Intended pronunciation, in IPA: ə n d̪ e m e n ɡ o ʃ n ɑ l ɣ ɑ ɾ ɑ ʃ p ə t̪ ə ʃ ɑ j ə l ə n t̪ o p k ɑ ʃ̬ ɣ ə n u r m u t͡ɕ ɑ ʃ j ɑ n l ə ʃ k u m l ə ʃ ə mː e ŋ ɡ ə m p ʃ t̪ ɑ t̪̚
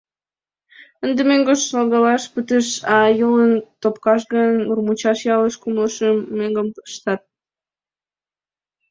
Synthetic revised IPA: ə n d̪ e m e ŋ ɡ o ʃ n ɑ l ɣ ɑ l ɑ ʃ p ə t̪ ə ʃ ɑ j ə l ə n t̪ o p k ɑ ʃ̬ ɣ ə n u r m u t͡ɕ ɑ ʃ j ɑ l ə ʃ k u m l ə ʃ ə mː e ŋ ɡ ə m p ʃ t̪ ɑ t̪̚